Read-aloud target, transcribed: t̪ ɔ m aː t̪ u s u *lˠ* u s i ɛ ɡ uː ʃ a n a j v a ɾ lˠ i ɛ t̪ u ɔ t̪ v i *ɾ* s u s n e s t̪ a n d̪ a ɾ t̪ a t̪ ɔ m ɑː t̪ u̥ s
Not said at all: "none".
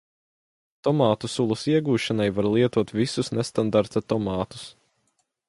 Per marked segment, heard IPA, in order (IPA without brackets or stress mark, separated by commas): lˠ, none